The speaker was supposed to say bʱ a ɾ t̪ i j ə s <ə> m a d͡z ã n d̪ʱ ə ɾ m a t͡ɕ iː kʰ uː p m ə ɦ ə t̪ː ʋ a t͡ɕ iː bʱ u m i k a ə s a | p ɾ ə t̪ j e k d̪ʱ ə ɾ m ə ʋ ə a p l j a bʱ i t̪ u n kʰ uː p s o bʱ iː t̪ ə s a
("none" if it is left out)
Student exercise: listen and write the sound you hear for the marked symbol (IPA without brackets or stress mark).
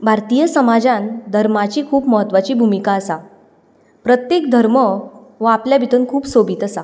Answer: ə